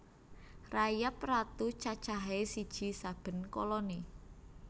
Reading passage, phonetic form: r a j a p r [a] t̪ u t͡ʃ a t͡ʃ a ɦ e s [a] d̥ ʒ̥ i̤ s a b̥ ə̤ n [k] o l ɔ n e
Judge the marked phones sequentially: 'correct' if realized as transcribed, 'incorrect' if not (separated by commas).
correct, incorrect, correct